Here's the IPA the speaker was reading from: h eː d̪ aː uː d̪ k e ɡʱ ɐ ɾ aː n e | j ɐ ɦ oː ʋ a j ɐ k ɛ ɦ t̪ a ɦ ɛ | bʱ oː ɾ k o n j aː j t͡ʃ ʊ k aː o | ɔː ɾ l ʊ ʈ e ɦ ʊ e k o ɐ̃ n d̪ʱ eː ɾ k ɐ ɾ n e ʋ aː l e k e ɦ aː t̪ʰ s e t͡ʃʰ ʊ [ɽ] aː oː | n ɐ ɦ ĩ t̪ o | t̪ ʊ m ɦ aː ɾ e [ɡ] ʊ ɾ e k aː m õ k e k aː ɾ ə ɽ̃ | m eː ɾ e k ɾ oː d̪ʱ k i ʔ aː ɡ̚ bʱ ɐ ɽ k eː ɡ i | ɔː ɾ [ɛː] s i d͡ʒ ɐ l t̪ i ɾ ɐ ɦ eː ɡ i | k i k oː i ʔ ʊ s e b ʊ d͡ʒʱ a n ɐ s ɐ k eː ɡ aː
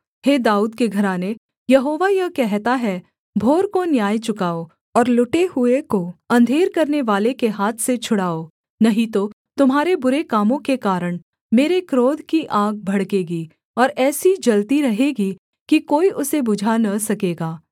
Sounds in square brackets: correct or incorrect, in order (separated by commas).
correct, incorrect, correct